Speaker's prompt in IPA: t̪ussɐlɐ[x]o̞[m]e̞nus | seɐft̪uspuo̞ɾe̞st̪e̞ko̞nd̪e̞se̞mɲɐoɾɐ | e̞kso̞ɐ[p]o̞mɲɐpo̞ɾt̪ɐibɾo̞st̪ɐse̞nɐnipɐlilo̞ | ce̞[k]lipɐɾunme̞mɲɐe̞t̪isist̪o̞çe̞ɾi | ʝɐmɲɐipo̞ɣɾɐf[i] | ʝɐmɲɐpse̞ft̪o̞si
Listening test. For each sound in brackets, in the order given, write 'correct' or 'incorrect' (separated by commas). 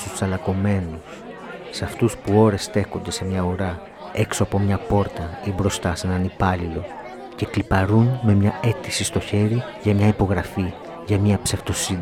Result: incorrect, correct, correct, correct, correct